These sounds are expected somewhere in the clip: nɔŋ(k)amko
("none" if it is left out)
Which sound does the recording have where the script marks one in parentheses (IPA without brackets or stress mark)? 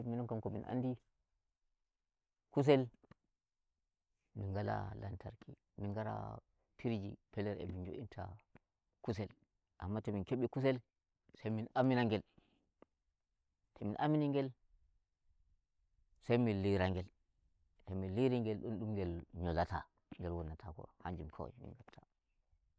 k